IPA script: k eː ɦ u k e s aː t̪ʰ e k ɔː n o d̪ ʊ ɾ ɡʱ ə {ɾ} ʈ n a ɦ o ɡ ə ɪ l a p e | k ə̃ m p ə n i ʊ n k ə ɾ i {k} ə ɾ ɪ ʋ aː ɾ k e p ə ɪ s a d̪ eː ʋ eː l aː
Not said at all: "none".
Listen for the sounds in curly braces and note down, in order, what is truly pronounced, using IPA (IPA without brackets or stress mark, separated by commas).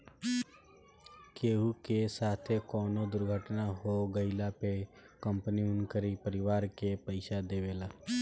none, p